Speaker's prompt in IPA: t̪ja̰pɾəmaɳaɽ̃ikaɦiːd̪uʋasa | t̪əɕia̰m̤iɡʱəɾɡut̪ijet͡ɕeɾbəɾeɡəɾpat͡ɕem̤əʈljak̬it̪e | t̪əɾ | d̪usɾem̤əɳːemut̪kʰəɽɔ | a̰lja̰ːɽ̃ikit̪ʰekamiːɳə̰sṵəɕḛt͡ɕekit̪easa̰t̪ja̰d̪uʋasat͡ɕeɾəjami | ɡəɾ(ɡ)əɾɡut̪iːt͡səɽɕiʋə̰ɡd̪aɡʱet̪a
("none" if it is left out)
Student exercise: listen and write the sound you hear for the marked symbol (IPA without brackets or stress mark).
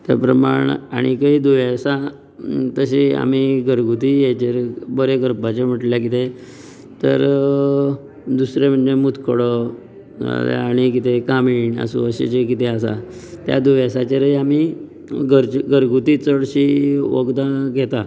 ɡ